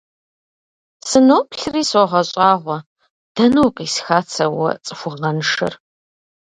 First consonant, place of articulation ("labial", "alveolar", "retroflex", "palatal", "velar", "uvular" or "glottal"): alveolar